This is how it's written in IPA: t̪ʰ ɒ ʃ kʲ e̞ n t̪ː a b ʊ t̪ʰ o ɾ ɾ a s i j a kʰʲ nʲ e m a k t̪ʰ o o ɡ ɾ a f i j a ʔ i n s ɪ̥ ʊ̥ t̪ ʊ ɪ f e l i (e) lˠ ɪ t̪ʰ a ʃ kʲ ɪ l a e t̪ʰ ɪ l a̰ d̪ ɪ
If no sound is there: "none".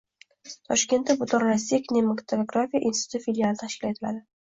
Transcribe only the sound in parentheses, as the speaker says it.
a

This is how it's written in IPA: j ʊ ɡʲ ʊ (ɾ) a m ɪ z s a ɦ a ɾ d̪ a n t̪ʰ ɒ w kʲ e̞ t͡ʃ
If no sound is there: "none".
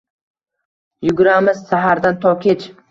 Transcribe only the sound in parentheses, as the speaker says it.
ɾ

